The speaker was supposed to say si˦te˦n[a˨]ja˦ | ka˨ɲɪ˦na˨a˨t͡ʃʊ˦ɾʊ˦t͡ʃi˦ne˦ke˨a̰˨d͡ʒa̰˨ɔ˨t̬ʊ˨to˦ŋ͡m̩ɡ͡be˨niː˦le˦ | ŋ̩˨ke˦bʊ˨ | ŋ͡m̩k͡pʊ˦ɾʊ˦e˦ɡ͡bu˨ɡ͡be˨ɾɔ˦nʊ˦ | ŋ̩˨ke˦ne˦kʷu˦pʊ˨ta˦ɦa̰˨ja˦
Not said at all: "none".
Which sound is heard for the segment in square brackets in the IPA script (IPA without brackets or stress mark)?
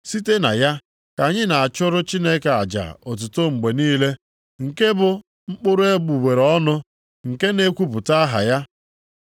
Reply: a˨